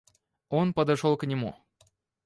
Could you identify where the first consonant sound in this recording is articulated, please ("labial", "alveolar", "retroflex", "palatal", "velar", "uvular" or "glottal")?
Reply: alveolar